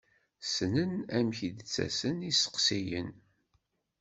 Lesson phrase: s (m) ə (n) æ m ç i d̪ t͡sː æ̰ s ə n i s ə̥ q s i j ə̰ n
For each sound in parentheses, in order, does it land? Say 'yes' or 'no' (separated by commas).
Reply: no, yes